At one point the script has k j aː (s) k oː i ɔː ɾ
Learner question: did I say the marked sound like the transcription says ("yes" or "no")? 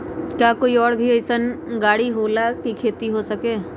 no